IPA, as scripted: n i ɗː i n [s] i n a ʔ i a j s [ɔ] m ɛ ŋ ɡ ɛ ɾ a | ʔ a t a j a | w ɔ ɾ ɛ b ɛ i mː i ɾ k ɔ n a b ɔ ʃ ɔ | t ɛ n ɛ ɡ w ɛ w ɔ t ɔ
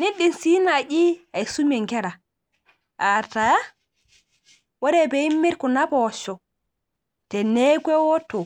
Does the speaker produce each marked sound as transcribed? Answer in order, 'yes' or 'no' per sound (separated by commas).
yes, no